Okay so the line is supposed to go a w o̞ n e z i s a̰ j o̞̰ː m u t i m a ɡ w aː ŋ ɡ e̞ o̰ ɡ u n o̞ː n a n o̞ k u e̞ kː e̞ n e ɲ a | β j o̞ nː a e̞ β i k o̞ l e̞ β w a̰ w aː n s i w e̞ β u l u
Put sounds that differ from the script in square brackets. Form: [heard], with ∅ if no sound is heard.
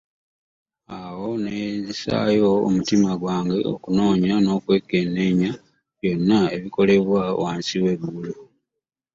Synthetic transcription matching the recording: a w o̞ n e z i s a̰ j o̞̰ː m u t i m a ɡ w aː ŋ ɡ e̞ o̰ [k] u n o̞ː [ɲ] a n o̞ k [w] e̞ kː e̞ n e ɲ a | β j o̞ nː a e̞ β i k o̞ l e̞ β w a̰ w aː n s i w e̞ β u l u

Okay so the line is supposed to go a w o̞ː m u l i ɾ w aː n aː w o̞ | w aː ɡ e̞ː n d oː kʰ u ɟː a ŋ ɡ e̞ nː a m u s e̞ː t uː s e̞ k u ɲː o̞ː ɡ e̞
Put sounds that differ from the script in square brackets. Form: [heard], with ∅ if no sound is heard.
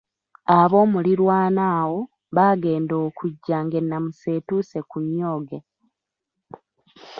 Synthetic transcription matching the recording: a [β] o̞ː m u l i ɾ w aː n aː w o̞ | [β] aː ɡ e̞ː n d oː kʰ u ɟː a ŋ ɡ e̞ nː a m u s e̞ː t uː s e̞ k u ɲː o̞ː ɡ e̞

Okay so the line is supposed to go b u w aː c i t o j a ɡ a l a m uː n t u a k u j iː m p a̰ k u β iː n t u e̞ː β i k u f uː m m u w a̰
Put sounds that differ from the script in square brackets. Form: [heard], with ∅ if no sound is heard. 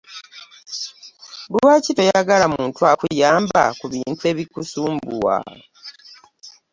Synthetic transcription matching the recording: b u w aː c i t o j a ɡ a l a m uː n t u a k u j [aː] m [b] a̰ k u β iː n t u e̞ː β i k u [s] uː m [b] u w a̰

